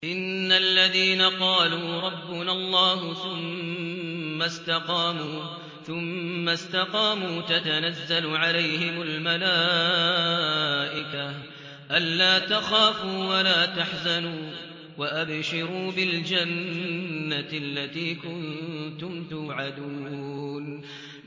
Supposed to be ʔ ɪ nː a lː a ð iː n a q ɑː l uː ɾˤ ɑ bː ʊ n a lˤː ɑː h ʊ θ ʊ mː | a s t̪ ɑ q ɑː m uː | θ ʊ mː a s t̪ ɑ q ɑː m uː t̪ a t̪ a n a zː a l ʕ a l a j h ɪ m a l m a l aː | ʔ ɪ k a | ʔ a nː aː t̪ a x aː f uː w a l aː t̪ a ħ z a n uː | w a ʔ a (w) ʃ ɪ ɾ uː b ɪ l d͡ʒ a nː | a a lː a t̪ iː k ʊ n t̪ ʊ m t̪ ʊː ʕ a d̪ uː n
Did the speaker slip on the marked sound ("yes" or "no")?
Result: yes